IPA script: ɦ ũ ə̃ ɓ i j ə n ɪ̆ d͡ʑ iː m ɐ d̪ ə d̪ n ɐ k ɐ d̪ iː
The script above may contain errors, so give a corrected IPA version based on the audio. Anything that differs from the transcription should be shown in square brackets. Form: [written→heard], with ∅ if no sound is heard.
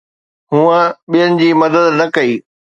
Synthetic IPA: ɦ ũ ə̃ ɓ i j ə n ɪ̆ d͡ʑ iː m ɐ d̪ ə d̪ n ɐ k ɐ [d̪→∅] iː